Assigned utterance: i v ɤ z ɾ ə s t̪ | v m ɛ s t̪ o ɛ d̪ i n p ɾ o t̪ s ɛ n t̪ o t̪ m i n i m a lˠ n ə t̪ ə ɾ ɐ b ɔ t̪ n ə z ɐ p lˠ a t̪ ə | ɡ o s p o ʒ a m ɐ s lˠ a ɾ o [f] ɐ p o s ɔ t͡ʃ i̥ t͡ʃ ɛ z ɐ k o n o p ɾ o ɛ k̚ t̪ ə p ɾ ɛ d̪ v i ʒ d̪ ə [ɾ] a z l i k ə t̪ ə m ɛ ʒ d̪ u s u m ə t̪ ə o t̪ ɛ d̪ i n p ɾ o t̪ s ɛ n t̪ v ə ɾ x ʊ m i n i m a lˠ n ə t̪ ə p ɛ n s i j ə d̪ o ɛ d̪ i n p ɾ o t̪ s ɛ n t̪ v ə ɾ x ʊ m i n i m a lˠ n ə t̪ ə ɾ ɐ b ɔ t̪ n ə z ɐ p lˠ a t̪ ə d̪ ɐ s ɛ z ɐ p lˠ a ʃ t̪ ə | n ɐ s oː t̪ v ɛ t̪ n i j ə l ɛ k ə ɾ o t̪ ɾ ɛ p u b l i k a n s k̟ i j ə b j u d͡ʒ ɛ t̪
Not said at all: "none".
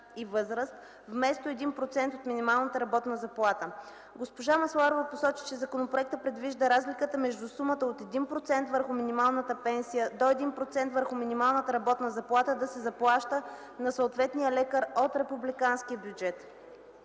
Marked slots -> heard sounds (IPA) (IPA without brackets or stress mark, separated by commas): v, ɾ